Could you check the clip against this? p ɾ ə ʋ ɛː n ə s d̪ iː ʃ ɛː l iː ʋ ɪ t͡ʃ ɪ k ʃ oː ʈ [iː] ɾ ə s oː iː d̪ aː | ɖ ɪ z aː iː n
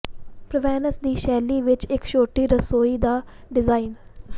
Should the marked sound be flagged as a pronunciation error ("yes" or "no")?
no